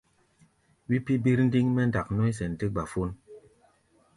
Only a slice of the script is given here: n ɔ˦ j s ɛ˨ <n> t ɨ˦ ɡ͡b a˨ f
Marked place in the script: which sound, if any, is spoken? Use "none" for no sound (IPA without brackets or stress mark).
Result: n